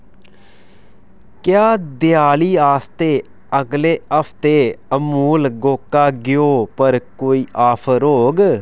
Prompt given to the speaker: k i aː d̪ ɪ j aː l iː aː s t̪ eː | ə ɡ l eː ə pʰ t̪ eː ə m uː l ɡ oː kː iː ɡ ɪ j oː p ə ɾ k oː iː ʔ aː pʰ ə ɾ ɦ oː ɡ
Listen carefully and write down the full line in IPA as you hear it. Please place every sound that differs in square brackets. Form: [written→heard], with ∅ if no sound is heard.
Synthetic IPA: k [i→j] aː d̪ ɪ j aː l iː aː s t̪ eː | ə ɡ l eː ə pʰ t̪ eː ə m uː l ɡ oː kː [iː→aː] ɡ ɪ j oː p ə ɾ k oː iː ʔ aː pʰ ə ɾ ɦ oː ɡ